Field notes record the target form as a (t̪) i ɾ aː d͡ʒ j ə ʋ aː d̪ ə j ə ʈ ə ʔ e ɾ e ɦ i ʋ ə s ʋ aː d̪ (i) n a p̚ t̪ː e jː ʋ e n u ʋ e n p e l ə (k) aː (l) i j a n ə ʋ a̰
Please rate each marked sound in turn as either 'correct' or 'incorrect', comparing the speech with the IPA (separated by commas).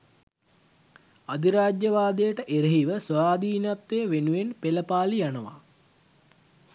incorrect, incorrect, incorrect, correct